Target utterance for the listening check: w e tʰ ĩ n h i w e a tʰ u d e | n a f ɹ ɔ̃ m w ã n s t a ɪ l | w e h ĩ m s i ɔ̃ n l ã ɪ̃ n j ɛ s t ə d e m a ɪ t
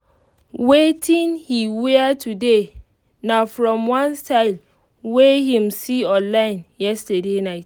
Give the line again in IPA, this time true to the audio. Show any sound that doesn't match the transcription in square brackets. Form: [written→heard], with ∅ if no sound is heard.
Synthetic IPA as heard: w e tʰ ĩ n h i w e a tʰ u d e | n a f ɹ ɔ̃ m w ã n s t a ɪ l | w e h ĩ m s i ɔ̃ n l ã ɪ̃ n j ɛ s t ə d e [m→n] a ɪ t